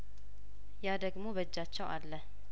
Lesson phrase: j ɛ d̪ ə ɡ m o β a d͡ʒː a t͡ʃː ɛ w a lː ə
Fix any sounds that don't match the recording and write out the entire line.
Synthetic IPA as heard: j a d̪ ə ɡ m o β ə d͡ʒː a t͡ʃː ɛ w a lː ə